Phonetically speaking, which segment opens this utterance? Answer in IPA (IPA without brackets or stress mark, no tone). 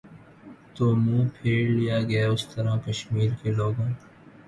t̪